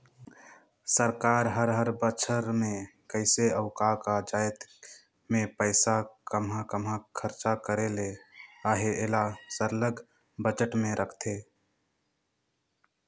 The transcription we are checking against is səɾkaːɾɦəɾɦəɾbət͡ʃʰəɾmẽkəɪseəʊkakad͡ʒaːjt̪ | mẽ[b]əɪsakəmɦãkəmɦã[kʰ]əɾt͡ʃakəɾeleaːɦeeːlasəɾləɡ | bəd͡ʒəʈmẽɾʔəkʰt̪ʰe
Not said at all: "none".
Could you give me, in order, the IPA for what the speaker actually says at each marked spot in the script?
p, kʰ

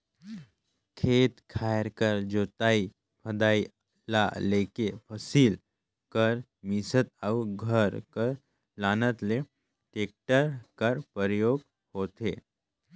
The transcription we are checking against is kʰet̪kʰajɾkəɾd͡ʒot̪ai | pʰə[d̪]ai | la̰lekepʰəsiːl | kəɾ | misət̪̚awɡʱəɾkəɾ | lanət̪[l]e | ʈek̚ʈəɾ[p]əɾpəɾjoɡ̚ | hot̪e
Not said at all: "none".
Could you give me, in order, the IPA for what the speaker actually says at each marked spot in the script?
d̪, l, k

